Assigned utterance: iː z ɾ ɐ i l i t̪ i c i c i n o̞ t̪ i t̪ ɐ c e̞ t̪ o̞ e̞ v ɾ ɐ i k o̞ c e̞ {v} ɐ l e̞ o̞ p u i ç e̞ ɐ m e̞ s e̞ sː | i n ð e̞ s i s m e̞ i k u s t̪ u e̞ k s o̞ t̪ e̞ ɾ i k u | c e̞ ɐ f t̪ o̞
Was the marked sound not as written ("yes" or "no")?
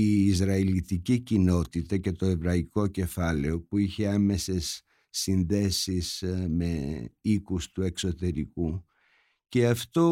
yes